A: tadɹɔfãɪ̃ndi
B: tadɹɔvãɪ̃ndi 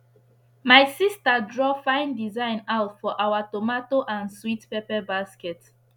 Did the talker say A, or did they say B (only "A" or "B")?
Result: A